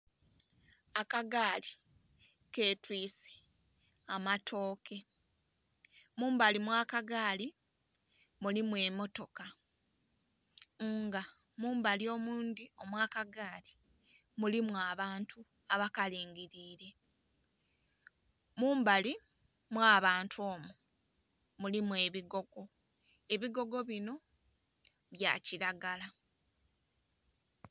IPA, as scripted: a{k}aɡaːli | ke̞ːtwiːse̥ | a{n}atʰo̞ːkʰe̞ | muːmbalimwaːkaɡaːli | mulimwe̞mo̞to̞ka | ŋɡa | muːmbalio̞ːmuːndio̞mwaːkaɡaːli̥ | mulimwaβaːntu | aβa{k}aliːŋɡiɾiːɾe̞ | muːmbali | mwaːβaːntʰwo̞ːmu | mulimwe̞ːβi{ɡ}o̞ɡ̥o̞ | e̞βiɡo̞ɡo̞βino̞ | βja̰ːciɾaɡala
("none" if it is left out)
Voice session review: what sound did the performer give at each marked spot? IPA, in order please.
k, m, k, ɡ

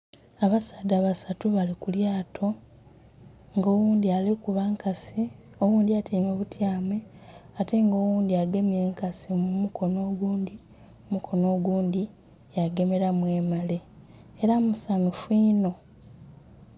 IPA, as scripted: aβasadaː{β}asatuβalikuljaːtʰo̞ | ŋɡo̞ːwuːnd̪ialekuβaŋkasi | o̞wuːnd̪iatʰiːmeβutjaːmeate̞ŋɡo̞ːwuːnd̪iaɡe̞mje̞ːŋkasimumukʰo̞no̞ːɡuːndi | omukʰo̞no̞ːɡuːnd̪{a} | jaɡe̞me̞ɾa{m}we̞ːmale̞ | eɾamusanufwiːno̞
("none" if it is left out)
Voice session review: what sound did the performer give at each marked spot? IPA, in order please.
β, i, m

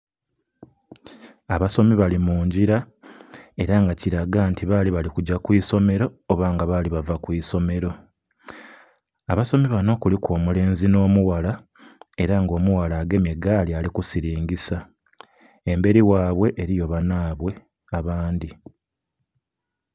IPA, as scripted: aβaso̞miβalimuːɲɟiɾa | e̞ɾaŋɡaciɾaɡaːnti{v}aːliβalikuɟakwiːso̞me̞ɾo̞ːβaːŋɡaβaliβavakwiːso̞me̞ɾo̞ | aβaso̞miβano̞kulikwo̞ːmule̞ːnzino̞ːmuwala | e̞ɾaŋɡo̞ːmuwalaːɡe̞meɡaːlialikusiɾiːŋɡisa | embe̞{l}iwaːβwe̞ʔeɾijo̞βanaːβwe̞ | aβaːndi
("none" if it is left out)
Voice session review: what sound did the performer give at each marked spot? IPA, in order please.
β, ɾ

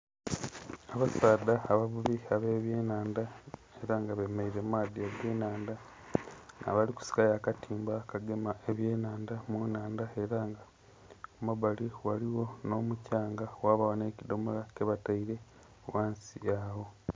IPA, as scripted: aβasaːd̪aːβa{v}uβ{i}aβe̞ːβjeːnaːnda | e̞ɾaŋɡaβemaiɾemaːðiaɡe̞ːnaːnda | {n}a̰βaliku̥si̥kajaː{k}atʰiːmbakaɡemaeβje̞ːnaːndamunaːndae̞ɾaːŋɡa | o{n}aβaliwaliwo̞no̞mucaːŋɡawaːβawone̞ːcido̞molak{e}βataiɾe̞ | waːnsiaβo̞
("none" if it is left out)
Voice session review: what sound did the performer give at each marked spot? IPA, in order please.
β, i, n, k, m, e

